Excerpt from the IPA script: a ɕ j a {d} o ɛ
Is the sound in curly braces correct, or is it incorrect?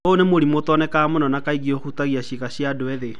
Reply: correct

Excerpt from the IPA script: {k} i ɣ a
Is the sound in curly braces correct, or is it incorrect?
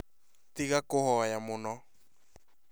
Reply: incorrect: t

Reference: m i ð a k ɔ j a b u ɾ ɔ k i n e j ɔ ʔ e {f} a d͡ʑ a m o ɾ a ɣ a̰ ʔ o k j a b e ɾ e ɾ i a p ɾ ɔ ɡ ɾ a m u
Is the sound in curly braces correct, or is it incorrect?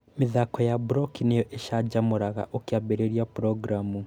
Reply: incorrect: ʃ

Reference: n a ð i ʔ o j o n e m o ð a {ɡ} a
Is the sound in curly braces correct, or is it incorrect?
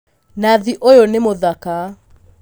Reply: incorrect: k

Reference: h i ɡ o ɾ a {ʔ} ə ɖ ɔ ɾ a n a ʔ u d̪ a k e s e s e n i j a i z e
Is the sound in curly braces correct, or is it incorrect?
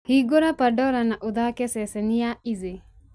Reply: incorrect: p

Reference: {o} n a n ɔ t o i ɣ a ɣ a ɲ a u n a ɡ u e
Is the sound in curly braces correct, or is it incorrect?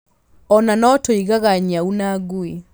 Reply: incorrect: ɔ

